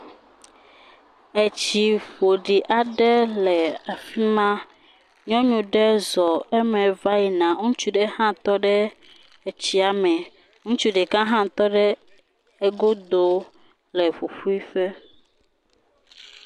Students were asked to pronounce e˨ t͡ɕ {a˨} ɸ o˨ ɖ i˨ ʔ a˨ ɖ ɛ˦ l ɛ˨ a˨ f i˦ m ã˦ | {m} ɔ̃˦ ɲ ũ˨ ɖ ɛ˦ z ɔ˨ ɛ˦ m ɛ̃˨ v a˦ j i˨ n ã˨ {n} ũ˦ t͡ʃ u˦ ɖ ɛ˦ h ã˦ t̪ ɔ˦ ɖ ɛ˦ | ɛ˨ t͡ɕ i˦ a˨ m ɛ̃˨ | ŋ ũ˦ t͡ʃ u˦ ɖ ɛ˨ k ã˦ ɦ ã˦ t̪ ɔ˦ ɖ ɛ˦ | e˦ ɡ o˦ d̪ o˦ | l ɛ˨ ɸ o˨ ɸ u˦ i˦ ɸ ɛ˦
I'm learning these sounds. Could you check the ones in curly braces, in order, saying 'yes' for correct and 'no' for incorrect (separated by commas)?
no, no, no